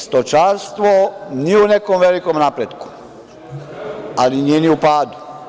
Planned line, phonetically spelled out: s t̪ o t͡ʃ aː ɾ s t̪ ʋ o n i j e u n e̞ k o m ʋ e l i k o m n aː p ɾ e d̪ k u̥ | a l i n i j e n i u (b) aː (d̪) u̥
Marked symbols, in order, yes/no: no, yes

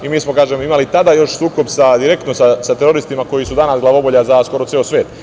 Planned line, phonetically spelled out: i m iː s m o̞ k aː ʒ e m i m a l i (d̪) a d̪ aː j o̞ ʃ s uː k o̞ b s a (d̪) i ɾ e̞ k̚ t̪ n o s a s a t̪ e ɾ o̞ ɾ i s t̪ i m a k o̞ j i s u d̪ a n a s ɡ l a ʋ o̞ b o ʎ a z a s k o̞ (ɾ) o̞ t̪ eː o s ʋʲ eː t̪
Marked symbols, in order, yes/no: no, yes, yes

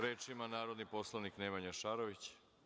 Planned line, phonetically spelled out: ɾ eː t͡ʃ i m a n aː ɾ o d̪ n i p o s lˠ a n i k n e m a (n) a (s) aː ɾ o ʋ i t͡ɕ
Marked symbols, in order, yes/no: no, no

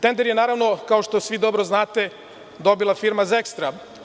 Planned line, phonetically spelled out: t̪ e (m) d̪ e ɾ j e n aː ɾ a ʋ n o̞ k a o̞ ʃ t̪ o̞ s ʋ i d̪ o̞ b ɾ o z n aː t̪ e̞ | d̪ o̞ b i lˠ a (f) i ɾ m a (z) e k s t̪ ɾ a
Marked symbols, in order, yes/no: no, yes, yes

